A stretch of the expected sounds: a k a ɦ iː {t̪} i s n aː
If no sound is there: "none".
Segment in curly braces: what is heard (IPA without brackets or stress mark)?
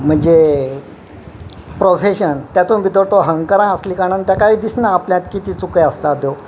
d̪